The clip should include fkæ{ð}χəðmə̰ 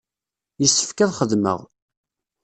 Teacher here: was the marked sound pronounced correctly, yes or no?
yes